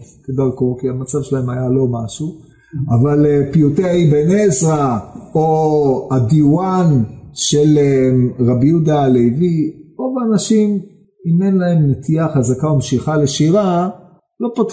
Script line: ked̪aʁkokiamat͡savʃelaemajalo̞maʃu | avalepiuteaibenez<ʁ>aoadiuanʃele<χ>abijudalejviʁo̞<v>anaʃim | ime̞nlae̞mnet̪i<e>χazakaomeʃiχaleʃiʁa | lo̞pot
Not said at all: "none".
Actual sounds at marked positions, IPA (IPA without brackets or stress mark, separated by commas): ʁ, ʁ, v, a